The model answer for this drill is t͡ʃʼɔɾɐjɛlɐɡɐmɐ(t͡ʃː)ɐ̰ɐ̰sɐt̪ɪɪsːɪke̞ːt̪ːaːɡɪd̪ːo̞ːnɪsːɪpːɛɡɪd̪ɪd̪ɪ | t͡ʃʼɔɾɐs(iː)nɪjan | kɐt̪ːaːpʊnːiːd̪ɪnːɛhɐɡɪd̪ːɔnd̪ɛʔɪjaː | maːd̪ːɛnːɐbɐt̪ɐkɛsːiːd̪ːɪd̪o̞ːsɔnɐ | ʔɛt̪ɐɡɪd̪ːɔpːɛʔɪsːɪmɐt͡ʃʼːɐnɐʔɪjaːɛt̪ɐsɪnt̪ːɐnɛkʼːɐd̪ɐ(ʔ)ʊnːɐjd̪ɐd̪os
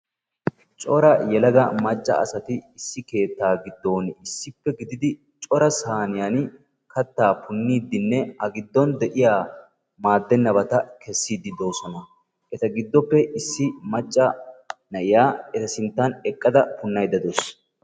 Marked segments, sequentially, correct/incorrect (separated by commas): incorrect, incorrect, incorrect